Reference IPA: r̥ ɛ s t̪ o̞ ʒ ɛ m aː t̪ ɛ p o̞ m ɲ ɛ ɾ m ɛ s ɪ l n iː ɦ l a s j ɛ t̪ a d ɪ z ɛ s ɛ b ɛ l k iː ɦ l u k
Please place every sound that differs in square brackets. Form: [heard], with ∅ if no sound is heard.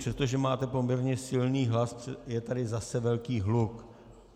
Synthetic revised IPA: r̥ ɛ s t̪ o̞ ʒ ɛ m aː t̪ ɛ p o̞ m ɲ ɛ ɾ [ɲ] ɛ s ɪ l n iː ɦ l a s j ɛ t̪ a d ɪ z [a] s ɛ [v] ɛ l k iː ɦ l u k